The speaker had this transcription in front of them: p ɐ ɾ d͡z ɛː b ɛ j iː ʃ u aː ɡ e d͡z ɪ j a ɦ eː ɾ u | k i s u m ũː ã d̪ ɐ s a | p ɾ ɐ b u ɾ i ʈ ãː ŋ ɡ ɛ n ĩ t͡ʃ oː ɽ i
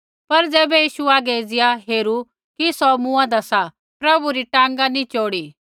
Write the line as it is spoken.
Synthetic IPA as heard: p ɐ ɾ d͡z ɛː b ɛ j iː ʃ u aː ɡ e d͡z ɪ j a ɦ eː ɾ u | k i s ɔ m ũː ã d̪ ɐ s a | p ɾ ɐ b u ɾ i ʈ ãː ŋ ɡ a n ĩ t͡ʃ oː ɽ i